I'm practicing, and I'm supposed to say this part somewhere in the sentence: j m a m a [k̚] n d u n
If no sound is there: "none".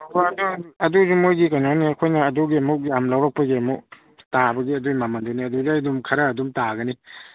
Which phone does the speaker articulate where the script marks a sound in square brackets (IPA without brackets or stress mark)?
none